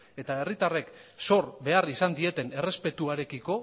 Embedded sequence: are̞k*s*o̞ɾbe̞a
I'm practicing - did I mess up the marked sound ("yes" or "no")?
no